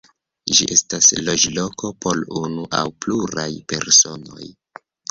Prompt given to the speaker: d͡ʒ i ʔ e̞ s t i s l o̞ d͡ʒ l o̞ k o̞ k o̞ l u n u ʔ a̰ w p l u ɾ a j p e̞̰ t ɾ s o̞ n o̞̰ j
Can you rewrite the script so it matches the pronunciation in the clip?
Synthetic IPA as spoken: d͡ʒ i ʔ e̞ s t a s l o̞ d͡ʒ l o̞ k o̞ p o̞ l u n u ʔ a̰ w p l u ɾ a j p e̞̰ ɾ s o̞ n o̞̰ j